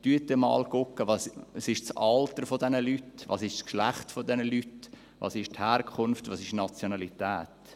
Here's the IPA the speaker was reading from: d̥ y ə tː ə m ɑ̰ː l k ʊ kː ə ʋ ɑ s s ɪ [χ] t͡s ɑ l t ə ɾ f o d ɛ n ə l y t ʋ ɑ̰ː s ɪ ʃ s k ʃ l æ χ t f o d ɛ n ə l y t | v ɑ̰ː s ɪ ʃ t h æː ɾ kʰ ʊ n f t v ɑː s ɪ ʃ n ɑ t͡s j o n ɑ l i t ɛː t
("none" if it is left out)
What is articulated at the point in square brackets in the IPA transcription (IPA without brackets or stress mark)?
ʃ